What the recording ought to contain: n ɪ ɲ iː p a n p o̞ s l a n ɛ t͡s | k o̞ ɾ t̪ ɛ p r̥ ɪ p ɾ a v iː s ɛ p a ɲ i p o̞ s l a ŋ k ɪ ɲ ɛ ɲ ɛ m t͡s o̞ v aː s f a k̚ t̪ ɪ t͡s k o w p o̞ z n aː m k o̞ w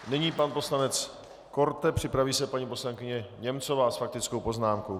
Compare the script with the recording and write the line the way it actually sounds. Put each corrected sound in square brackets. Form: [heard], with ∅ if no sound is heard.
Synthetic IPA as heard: n ɪ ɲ iː p a n p o̞ s l a n ɛ t͡s | k o̞ ɾ t̪ ɛ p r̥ ɪ p ɾ a v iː s ɛ p a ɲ i p o̞ s l a ŋ k ɪ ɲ ɛ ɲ ɛ m t͡s o̞ v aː s f a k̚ t̪ ɪ t͡s k o w p o̞ z n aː m k o̞ w